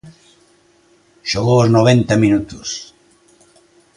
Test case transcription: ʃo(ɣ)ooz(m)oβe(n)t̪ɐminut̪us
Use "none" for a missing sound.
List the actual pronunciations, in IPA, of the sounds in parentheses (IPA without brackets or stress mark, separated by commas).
ɣ, n, n